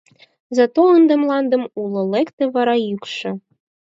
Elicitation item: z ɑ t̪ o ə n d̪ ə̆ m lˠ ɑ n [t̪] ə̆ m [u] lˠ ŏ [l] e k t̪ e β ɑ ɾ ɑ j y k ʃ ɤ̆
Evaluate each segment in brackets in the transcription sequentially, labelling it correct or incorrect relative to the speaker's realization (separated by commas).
incorrect, correct, correct